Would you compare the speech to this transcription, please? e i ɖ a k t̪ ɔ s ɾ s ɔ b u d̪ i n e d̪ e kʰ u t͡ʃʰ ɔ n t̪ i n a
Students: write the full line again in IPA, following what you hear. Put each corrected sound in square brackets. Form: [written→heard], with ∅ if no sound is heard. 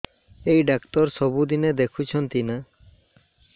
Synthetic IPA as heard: e [i→j] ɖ a k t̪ ɔ [s→∅] ɾ s ɔ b u d̪ i n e d̪ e kʰ u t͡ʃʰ ɔ n t̪ i n a